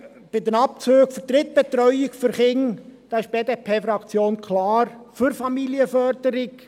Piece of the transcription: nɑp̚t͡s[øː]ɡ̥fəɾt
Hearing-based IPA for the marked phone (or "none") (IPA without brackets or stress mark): øː